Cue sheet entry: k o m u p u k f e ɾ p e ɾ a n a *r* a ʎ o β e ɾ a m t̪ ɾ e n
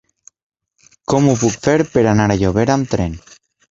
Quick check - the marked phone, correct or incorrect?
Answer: incorrect